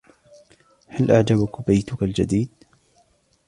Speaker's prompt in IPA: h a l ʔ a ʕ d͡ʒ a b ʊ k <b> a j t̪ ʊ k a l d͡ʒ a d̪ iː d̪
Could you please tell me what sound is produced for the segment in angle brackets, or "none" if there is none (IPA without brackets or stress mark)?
b